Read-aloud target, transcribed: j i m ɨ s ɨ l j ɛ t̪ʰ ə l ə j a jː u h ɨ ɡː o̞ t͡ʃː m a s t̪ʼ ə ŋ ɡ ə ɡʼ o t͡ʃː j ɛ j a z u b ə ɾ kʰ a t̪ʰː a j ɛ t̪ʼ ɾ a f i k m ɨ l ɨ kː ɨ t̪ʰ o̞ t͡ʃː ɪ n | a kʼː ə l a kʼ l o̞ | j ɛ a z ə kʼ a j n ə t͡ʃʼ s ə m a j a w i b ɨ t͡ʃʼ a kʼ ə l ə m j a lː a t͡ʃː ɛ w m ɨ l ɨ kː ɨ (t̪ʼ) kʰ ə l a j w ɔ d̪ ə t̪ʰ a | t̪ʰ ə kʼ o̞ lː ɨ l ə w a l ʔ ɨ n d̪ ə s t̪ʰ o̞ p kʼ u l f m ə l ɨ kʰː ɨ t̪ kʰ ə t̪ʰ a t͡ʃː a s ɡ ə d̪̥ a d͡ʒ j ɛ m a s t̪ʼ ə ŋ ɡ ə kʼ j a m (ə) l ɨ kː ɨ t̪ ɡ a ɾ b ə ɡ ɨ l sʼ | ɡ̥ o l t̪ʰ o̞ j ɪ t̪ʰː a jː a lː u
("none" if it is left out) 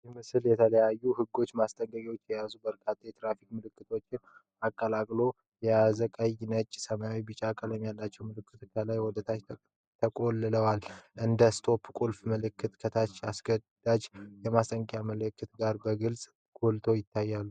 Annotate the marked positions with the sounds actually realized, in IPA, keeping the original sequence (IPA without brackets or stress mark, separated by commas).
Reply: t̪, ə